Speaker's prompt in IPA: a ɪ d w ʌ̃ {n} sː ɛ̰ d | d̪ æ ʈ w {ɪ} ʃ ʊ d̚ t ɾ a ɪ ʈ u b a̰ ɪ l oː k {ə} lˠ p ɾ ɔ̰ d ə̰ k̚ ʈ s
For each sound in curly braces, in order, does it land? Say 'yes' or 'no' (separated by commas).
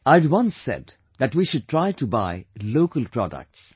yes, no, yes